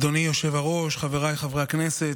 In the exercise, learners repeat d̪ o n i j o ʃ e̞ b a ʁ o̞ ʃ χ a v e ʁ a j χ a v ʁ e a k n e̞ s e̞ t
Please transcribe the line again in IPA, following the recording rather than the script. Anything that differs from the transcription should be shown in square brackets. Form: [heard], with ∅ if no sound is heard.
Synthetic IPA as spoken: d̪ o n i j o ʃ e̞ [v] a ʁ o̞ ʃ χ a v e ʁ a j χ a v ʁ e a k n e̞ s e̞ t